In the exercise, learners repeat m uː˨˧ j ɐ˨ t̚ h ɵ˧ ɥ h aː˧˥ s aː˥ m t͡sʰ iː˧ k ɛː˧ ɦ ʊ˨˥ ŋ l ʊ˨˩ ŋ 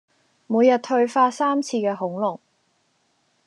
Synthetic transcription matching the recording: m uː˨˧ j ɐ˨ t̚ h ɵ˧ ɥ f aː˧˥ s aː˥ m t͡sʰ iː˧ k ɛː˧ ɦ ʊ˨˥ ŋ l ʊ˨˩ ŋ

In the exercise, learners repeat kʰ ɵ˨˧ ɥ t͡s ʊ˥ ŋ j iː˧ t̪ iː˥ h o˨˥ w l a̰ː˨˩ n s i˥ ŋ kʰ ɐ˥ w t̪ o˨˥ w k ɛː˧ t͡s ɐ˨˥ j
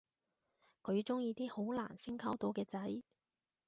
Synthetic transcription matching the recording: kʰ ɵ˨˧ ɥ t͡s ʊ˥ ŋ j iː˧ t̪ iː˥ h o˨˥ w l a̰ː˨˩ n s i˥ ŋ kʰ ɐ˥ w t̪ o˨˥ w k ɛː˧ t͡s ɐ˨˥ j

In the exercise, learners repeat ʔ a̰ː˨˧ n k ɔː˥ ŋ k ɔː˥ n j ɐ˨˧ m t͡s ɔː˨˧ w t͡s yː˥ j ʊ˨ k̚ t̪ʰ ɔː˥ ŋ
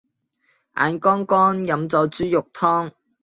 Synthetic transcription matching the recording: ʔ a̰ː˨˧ n k ɔː˥ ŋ k ɔː˥ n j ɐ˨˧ m t͡s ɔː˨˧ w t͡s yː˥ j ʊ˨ k̚ t̪ʰ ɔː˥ ŋ

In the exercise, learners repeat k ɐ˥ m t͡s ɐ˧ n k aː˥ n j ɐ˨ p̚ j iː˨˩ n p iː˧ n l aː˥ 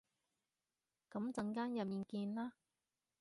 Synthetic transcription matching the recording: k ɐ˨˥ m t͡s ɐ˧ ŋ k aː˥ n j ɐ˨ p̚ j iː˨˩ n k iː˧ n l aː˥

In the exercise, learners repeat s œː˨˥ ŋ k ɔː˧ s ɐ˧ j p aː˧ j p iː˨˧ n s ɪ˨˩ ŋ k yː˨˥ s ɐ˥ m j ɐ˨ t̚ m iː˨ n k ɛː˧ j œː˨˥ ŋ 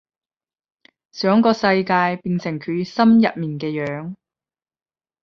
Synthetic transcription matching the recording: s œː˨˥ ŋ k ɔː˧ s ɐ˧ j k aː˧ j p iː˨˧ n s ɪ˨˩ ŋ kʰ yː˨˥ s ɐ˥ m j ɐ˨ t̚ m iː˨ n k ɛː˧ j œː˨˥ ŋ

